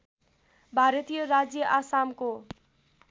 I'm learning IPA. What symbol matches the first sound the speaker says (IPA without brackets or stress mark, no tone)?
bʱ